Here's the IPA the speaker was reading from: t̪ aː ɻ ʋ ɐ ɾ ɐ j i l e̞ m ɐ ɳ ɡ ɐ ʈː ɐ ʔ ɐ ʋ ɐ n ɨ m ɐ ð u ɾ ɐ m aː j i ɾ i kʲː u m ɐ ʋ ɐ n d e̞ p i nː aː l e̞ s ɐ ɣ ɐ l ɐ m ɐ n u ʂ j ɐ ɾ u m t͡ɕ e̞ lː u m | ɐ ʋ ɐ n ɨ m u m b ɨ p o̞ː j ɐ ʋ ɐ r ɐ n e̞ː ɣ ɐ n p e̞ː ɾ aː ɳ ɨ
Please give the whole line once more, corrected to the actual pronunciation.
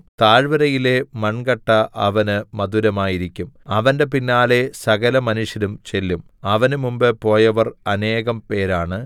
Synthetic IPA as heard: t̪ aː ɻ ʋ ɐ ɾ ɐ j i l e̞ m ɐ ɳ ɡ ɐ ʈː ɐ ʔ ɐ ʋ ɐ n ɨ m ɐ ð u ɾ ɐ m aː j i ɾ i kʲː u m ɐ ʋ ɐ n d e̞ p i nː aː l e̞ s ɐ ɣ ɐ l ɐ m ɐ n u ʂ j ɐ ɾ u m t͡ɕ e̞ lː u m | ɐ ʋ ɐ n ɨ m u m b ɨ p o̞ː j ɐ ʋ ɐ r ɐ n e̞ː ɣ ɐ m p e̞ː ɾ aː ɳ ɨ